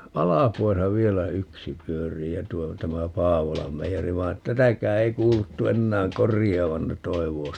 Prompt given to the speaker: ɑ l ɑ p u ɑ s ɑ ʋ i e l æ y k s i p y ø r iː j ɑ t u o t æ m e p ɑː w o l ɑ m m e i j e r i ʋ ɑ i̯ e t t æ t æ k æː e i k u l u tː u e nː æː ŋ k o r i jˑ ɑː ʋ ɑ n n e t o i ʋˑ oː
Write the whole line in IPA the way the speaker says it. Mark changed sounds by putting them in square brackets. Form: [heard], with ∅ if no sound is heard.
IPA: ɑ l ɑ p u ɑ s ɑ ʋ i e l æ y k s i p y ø r iː j ɑ t u o t æ m [æ] p ɑː [ʋ] o l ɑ m m e i j e r i ʋ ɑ i̯ e t t æ t æ k æː e i k [uː] l u tː u e nː æː ŋ k o r i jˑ ɑː ʋ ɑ n n e t o i ʋˑ oː

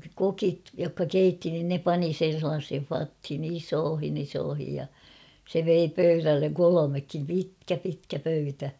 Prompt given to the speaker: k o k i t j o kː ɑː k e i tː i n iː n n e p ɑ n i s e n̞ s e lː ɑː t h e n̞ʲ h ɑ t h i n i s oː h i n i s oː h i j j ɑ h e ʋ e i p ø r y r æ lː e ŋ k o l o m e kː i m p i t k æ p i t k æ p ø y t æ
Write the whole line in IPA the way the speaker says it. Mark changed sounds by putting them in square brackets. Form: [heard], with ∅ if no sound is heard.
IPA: k o k i t j o kː [ɑ] k e i tː i n [i] n n e p ɑ n i s e n̞ s e lː ɑː [s] h e n̞ʲ [f] ɑ t h i n i s oː h i n i s oː h i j j ɑ [s] e ʋ e i p ø [∅] y r æ lː e ŋ k o l o m e kː i m p i t k æ p i t k æ p ø y t æ

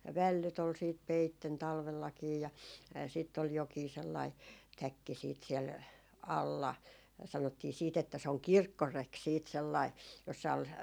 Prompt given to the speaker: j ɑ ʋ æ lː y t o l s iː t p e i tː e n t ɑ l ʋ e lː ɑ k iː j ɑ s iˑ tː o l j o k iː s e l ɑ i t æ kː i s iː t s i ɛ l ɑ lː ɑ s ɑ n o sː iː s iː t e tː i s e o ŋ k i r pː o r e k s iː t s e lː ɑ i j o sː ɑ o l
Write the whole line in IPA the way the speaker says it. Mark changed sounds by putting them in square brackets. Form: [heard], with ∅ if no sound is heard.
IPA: j ɑ ʋ æ lː y t o l s iː t p e i tː e n t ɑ l ʋ e lː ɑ k iː j ɑ s iˑ tː o l j o k iː s e [lː] ɑ i t æ kː i s iː t s i ɛ l ɑ lː ɑ s ɑ n o [tː] iː s iː t e tː [æ] s e o ŋ k i r [kː] o r e k s iː t s e lː ɑ i j o sː ɑ o l

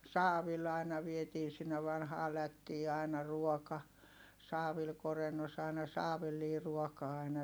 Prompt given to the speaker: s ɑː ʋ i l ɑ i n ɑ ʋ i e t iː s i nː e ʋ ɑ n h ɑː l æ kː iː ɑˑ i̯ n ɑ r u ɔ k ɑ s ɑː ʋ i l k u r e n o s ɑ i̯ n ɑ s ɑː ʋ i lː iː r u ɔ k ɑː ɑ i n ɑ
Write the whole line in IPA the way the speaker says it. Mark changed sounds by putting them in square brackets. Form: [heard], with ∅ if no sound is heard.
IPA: s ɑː ʋ i l ɑ i n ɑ ʋ i e t iː s i nː e ʋ ɑ n h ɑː l æ [tː] iː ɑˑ i̯ n ɑ r u ɔ k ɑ s ɑː ʋ i l k [o] r e [nː] o s ɑ i̯ n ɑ s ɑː ʋ i lː iː r u ɔ k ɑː ɑ i n ɑ

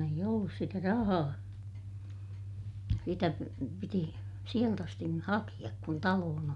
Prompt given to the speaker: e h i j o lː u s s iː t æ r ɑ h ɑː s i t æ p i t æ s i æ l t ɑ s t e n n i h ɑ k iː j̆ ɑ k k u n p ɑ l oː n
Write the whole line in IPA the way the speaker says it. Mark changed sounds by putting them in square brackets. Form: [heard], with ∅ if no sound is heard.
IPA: e [∅] i j o lː u s s [i] t æ r ɑ h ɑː s i t æ p i t [i] s i [e] l t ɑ s t [i] n n i h ɑ k [i] j̆ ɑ k k u n [t] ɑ l oː n

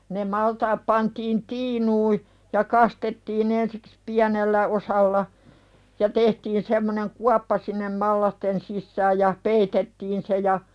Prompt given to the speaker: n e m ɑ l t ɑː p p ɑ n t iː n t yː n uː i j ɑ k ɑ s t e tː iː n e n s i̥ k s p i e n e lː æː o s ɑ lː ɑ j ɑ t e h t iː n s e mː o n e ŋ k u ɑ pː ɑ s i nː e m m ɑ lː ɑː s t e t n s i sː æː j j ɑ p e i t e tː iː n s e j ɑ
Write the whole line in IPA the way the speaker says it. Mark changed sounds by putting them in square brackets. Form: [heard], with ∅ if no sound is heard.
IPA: n e m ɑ l t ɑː p p ɑ n t iː n t [iː] n uː i j ɑ k ɑ s t e tː iː n e n s i̥ k s p i [æ] n e lː [æ] o s ɑ lː ɑ j ɑ t e h t iː n s e mː o n e ŋ k u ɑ pː ɑ s i nː e m m ɑ lː [ɑ] s t e [∅] n s i sː æː j j ɑ p e i t e tː iː n s e j ɑ

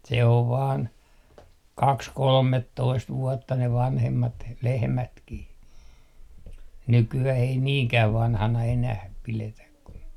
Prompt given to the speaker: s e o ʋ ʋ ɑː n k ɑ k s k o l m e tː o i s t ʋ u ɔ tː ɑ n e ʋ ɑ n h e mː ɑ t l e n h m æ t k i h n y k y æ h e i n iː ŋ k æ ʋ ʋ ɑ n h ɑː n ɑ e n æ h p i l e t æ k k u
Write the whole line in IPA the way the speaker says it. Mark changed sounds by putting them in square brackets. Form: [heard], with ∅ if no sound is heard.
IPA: s e o ʋ ʋ ɑː n k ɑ k s k o l m e tː o i s t ʋ u ɔ tː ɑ n e ʋ ɑ n h e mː ɑ t l e [∅] h m æ t k i h n y k y æ h e i n iː ŋ k æ ʋ ʋ ɑ n h [ɑ] n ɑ e n æ h p i l e t æ k k u

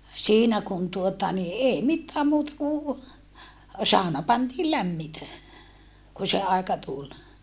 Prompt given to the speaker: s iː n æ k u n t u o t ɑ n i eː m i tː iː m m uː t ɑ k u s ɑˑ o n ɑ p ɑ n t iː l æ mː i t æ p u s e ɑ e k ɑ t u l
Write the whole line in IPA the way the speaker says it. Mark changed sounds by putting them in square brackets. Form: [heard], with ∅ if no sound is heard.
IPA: s iː n æ k u n t u o t ɑ n i eː m i tː [æː] m m uː t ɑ k u s ɑˑ o n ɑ p ɑ n t iː l æ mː i t æ [k] u s e ɑ e k ɑ t u l

